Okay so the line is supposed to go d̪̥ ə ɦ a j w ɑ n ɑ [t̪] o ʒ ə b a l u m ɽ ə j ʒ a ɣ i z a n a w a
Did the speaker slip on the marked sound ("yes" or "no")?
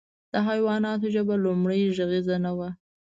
no